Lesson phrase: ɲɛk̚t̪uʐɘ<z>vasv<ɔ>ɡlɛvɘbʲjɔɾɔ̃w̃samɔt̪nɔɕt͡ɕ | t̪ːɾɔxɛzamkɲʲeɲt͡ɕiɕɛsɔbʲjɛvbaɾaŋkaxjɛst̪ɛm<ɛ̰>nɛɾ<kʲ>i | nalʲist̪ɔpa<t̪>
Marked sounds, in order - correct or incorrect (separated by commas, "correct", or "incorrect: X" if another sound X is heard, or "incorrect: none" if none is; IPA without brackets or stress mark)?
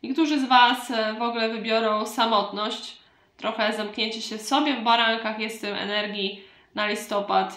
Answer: correct, correct, correct, incorrect: ɡʲ, correct